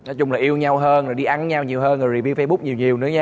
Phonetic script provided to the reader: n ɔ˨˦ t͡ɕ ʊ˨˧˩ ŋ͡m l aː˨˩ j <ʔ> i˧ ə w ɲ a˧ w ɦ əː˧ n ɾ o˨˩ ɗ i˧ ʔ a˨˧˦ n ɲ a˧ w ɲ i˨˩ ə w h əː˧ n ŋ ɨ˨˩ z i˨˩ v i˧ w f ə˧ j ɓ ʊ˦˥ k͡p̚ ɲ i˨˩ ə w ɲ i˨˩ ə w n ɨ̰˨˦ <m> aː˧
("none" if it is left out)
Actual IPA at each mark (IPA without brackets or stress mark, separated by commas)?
ʔ, ɲ